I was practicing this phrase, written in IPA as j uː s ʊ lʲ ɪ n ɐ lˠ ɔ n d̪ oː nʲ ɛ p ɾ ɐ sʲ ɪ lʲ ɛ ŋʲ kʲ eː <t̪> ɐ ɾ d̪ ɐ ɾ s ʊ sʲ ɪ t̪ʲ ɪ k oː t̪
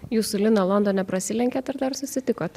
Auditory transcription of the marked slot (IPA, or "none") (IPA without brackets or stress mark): t̪